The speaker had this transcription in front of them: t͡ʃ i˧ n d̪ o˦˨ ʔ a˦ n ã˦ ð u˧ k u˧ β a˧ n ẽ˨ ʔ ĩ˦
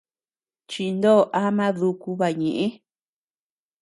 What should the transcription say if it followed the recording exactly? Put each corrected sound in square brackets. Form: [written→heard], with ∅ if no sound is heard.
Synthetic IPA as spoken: t͡ʃ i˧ n d̪ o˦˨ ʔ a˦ [n→m] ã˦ ð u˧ k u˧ β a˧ [n→ɲ] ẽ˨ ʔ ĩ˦